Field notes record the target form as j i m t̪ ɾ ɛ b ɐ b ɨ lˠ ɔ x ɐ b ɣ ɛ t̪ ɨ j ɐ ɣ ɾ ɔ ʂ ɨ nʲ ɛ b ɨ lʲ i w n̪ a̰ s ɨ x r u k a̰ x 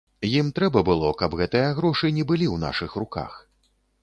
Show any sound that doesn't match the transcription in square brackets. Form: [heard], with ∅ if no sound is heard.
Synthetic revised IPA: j i m t̪ ɾ ɛ b ɐ b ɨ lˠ ɔ [k] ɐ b ɣ ɛ t̪ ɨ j ɐ ɣ ɾ ɔ ʂ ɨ nʲ ɛ b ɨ lʲ i w n̪ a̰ [ʂ] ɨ x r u k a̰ x